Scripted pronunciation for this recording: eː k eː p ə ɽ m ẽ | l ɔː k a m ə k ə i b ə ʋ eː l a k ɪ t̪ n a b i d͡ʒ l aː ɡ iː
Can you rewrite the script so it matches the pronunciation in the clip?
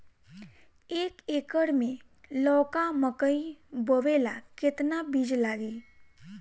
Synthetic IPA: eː k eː k ə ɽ m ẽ | l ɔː k a m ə k ə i b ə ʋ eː l a k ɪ t̪ n a b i d͡ʒ l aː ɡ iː